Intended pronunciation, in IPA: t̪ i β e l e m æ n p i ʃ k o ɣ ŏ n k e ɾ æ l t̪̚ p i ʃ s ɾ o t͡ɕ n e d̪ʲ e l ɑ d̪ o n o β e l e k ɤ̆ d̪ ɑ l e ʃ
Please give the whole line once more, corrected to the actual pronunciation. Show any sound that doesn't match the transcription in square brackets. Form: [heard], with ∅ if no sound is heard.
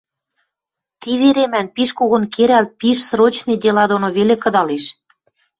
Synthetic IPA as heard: t̪ i β e [ɾ] e m æ n p i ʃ k o ɣ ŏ n k e ɾ æ l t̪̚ p i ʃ s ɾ o t͡ɕ n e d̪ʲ e l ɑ d̪ o n o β e l e k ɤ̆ d̪ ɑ l e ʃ